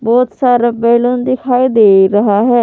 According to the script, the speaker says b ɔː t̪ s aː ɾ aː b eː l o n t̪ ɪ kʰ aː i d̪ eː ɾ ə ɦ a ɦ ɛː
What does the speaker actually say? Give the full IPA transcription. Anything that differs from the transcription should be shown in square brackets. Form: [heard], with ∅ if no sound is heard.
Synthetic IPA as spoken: b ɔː t̪ s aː ɾ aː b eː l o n [d̪] ɪ kʰ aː i d̪ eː ɾ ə ɦ a ɦ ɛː